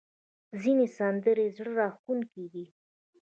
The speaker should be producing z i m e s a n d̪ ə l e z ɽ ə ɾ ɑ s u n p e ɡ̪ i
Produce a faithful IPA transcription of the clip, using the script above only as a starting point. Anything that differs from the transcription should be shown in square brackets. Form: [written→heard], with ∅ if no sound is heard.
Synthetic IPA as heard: z i [m→n] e s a n d̪ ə [l→ɾ] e z ɽ ə ɾ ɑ [s→x] u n [p→k] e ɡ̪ i